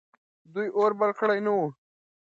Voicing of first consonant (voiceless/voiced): voiced